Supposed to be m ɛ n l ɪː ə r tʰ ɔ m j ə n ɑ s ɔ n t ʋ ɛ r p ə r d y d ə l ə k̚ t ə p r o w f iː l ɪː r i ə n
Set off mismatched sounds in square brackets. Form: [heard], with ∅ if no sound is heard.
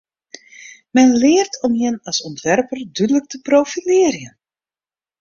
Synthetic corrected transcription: m ɛ n l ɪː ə r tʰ ɔ m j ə n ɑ s ɔ n t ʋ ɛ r p ə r d y d ə l ə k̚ t ə p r o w f [i] l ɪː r [j] ə n